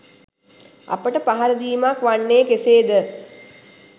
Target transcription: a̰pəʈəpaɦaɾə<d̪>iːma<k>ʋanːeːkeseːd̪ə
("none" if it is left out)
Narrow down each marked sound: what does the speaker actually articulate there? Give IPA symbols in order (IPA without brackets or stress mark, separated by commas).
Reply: d̪, k